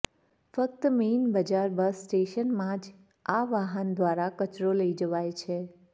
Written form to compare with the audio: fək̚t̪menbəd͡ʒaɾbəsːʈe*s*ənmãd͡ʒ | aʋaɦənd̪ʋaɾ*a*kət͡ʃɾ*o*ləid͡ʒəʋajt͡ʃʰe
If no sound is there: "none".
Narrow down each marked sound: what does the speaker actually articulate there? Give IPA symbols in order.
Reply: ʃ, a, o

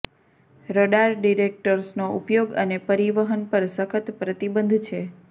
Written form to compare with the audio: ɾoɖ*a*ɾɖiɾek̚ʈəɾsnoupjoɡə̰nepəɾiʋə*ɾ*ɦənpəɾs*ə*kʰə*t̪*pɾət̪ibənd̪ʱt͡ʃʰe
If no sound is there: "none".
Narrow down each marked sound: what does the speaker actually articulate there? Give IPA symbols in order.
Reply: a, none, ə, t̪

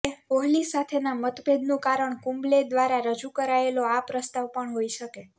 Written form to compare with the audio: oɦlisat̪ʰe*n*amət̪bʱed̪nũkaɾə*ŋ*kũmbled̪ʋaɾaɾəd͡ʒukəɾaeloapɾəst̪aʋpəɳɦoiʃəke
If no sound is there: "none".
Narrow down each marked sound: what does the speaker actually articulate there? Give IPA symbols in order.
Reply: n, ɳ

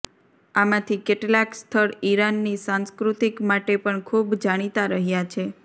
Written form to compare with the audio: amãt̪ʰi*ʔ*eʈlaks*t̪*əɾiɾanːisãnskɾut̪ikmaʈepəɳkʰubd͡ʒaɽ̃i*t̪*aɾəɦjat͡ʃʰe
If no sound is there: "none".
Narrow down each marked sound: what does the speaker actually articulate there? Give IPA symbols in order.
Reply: k, t̪ʰ, t̪

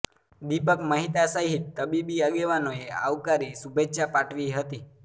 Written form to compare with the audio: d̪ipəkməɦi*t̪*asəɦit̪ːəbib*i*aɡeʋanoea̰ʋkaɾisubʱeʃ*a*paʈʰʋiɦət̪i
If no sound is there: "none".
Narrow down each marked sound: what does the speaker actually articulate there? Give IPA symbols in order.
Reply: t̪, i, a

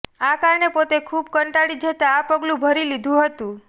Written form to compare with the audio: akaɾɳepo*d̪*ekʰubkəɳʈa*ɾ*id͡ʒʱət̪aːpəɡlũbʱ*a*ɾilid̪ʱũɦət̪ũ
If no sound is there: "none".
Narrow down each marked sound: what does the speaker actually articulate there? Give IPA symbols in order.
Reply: t̪, ɽ, ə

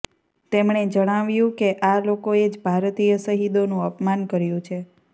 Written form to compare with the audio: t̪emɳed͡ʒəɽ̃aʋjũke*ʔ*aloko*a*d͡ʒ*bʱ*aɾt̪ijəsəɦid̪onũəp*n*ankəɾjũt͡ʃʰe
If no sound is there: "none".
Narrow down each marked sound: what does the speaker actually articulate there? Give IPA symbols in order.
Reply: ʔ, e, bʱ, m

